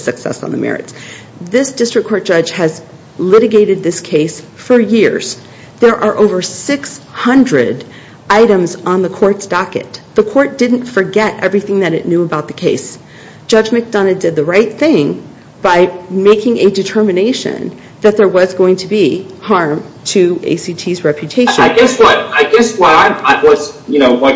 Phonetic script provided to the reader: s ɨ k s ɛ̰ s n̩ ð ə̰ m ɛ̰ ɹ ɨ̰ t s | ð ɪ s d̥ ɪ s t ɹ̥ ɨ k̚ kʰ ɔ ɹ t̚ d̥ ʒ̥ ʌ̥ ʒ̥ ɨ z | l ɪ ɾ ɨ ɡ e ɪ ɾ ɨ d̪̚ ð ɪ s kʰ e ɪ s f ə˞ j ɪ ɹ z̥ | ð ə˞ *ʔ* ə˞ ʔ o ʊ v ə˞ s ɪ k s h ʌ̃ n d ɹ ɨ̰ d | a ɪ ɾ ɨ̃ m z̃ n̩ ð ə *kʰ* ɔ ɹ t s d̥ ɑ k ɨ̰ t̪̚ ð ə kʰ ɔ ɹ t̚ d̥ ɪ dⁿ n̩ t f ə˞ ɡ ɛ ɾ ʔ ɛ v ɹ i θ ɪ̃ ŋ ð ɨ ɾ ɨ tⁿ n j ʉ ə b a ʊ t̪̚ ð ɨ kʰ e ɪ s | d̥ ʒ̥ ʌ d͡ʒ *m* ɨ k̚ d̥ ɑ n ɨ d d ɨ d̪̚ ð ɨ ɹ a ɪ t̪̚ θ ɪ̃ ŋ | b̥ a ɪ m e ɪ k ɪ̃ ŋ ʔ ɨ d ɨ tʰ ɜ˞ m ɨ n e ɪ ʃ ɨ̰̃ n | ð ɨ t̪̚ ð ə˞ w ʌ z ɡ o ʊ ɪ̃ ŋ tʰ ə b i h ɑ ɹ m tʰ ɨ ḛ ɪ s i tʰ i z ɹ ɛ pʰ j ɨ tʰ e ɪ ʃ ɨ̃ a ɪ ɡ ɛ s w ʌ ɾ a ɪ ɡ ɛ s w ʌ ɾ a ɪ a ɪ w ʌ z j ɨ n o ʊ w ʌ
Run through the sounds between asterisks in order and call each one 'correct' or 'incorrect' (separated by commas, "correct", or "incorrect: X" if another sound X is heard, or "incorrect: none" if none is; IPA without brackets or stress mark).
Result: correct, correct, correct